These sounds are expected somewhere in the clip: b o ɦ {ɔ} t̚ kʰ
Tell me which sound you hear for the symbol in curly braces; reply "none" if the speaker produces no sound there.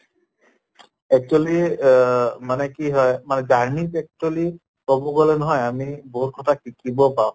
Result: u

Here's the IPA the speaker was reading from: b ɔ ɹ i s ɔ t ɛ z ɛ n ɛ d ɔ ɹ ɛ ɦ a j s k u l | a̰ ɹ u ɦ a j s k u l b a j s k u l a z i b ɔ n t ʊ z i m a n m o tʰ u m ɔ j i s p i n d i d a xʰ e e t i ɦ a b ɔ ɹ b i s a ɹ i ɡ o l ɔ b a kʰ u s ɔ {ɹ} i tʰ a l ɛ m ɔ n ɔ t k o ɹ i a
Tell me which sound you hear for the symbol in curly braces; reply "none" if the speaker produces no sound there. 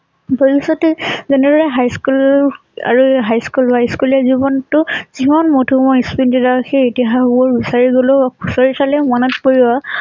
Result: ɹ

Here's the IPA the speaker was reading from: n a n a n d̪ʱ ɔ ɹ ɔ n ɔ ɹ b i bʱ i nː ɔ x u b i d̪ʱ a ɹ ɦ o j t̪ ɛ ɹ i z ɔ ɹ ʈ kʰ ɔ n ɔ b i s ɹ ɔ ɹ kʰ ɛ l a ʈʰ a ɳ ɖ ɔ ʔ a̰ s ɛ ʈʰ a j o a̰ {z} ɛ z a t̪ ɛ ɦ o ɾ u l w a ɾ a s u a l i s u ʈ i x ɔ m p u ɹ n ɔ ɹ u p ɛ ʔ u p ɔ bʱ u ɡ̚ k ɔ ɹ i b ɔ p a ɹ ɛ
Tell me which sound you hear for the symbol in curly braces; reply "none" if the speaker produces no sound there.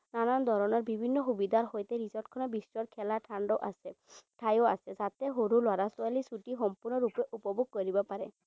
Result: s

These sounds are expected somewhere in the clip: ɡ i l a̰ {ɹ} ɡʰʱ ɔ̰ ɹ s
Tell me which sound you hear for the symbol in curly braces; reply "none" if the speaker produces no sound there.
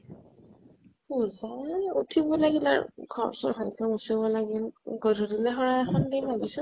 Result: ɹ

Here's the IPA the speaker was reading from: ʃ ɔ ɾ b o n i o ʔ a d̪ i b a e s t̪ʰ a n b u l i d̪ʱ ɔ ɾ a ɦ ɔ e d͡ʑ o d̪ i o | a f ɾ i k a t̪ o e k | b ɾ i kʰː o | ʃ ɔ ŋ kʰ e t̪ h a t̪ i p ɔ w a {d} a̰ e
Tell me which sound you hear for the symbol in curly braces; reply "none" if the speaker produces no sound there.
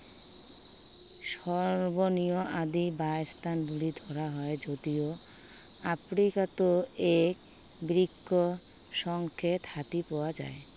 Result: d͡ʑ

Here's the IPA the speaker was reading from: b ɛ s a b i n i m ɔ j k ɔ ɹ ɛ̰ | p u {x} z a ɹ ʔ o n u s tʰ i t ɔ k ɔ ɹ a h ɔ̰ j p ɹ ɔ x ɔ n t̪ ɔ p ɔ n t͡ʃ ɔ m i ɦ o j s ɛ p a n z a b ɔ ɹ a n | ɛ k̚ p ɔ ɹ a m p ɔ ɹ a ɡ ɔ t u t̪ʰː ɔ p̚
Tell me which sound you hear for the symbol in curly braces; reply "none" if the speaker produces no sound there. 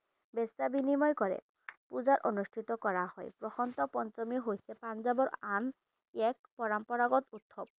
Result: none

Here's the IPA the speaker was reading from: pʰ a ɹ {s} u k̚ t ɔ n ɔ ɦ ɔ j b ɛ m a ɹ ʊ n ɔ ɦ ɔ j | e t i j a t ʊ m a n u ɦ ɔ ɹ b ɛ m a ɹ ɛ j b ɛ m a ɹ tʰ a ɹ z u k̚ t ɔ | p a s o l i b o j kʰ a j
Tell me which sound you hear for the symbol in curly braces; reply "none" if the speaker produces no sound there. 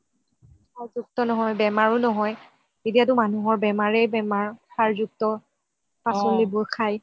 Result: z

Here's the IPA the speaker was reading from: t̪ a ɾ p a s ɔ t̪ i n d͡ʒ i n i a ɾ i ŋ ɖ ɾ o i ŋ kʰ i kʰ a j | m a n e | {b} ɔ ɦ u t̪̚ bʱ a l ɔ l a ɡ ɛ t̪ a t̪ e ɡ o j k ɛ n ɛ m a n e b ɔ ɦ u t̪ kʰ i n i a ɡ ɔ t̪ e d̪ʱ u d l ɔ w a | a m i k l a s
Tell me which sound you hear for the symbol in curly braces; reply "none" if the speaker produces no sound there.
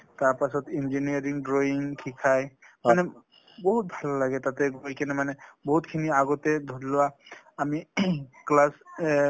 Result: b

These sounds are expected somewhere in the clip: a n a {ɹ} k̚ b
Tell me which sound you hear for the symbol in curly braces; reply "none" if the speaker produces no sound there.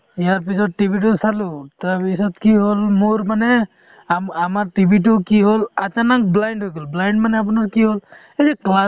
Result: none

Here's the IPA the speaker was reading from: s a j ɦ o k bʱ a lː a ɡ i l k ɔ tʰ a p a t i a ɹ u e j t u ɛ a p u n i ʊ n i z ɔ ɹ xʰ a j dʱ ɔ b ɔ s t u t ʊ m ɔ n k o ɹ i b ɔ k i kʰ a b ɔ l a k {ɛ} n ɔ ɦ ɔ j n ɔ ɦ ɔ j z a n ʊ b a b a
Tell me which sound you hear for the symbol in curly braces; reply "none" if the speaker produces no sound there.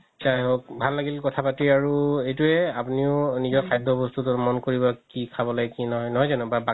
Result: i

